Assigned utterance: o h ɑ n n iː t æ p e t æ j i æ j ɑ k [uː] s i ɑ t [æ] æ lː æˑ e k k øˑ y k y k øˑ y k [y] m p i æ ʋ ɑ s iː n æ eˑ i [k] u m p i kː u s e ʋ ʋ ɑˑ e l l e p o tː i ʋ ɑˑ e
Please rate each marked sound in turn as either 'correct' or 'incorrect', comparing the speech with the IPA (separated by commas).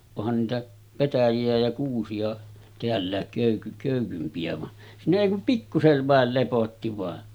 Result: correct, incorrect, correct, correct